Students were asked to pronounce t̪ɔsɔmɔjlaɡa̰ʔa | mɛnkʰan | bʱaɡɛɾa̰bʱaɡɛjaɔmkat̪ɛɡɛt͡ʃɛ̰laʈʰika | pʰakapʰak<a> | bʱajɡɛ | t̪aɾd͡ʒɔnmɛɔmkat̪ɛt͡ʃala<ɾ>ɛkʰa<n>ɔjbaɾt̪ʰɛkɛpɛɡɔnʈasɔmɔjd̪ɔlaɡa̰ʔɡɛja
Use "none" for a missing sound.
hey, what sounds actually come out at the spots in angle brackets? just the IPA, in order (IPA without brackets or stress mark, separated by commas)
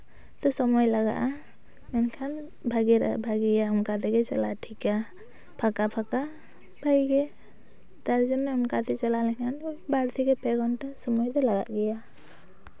a, l, n